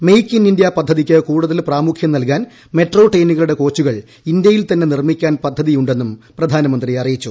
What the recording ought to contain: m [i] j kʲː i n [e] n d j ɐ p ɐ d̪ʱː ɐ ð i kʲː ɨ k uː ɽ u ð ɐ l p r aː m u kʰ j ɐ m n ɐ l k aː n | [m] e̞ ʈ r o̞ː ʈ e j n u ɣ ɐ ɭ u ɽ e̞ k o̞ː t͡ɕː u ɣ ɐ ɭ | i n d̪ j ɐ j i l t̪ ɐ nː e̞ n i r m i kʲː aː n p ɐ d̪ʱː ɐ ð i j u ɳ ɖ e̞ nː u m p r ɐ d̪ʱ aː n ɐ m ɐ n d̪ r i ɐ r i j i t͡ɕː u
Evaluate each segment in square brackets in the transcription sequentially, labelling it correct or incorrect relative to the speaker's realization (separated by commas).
incorrect, incorrect, correct